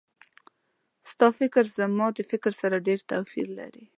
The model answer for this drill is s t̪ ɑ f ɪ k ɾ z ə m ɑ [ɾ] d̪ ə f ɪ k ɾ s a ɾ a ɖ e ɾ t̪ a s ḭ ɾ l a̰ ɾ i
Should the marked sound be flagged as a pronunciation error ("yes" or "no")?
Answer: yes